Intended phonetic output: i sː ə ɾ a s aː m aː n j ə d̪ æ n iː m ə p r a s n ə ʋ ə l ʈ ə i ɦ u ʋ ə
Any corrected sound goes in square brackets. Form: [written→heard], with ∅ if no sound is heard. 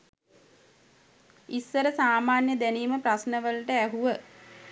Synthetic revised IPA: i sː ə ɾ [a→ə] s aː m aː n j ə d̪ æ n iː m ə p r a s n ə ʋ ə l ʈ ə [i→æ] ɦ u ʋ ə